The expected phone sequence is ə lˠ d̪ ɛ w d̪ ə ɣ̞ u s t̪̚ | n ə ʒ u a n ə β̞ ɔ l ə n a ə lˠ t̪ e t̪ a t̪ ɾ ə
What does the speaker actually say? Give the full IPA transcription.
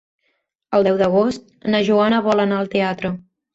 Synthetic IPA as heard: ə lˠ d̪ ɛ w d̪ ə ɣ̞ o s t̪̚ | n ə ʒ u a n ə β̞ ɔ l ə n a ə lˠ t̪ e a t̪ ɾ ə